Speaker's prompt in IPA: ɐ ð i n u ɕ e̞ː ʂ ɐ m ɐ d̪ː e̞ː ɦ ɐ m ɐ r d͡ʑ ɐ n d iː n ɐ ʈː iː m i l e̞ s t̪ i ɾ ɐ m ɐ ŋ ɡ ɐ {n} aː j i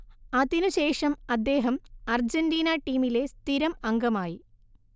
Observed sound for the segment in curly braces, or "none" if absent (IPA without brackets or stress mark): m